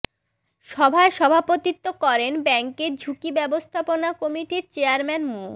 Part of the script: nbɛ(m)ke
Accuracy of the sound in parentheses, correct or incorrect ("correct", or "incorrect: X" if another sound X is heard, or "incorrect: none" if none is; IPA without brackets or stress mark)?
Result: incorrect: ŋ